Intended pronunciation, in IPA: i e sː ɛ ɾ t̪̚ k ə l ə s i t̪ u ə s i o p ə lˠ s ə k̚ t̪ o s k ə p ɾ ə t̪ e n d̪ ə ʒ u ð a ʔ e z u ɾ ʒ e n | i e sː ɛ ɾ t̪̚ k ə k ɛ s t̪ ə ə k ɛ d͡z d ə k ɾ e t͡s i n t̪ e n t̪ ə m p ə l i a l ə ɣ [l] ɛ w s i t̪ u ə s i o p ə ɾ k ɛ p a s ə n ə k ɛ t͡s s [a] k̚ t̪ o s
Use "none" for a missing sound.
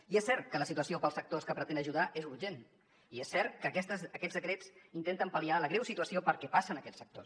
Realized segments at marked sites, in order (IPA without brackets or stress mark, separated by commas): ɾ, ə